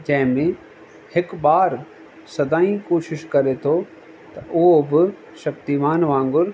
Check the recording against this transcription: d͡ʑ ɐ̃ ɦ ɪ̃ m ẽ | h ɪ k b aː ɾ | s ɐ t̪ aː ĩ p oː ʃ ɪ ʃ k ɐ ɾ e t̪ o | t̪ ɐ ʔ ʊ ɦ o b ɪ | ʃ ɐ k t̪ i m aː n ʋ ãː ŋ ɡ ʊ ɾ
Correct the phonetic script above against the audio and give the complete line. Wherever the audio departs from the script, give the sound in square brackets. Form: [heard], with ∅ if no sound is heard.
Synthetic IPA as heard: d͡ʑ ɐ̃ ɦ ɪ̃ m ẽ | h ɪ k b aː ɾ | s ɐ [d̪] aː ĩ [k] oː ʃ ɪ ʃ k ɐ ɾ e [t̪ʰ] o | t̪ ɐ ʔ ʊ ɦ o b ɪ | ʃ ɐ k t̪ i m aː n ʋ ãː ŋ ɡ ʊ ɾ